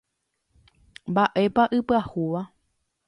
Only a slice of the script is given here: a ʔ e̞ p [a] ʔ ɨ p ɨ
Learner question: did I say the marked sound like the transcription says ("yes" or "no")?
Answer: yes